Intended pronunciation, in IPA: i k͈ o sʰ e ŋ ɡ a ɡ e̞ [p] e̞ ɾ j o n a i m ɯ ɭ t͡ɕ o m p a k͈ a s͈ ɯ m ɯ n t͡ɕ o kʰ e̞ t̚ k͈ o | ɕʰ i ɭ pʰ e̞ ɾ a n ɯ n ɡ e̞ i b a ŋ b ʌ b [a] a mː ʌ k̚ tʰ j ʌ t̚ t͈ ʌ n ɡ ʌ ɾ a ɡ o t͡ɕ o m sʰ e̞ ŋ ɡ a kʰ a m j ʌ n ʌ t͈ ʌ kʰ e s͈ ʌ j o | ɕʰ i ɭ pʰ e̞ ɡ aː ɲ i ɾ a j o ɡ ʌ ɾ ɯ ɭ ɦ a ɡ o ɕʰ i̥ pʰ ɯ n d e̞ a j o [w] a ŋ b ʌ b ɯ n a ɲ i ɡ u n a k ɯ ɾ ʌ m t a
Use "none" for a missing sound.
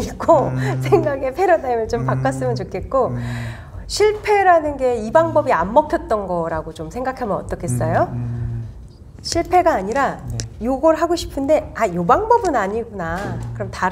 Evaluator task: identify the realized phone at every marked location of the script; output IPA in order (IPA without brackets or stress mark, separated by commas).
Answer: pʰ, i, b